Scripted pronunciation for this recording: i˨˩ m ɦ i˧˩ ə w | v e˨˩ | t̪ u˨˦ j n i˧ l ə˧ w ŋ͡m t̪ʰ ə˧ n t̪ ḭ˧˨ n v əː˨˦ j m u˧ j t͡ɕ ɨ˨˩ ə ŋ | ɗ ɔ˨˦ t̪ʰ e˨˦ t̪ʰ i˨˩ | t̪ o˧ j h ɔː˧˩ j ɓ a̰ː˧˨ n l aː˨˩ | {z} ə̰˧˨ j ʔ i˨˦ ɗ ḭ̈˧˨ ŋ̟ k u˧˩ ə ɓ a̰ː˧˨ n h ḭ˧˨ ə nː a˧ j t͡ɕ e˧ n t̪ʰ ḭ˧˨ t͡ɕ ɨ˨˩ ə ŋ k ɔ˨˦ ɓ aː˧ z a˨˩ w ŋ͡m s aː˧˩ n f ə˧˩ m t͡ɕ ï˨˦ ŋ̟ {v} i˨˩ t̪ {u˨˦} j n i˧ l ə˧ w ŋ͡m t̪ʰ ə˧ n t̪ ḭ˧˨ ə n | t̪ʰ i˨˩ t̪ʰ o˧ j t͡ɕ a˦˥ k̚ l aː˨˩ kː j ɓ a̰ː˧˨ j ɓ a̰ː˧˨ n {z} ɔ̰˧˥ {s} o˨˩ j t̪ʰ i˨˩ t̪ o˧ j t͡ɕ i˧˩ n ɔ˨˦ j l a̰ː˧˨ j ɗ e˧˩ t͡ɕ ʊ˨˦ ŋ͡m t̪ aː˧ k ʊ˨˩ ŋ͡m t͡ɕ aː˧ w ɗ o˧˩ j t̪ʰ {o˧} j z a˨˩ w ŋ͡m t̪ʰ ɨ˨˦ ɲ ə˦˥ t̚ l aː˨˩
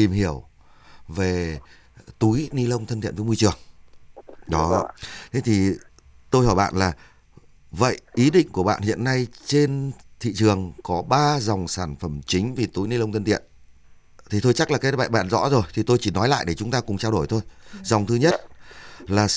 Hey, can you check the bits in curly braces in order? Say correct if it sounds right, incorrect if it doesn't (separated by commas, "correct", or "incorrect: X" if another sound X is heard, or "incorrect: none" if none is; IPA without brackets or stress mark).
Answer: incorrect: v, correct, correct, correct, incorrect: z, correct